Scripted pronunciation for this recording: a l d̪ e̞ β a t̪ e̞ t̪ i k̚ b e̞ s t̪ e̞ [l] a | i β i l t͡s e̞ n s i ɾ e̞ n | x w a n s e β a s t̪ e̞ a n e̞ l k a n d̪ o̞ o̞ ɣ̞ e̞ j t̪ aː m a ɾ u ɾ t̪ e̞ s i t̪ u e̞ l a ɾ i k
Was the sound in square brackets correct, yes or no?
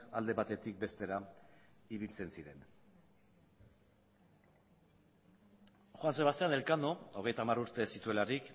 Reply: no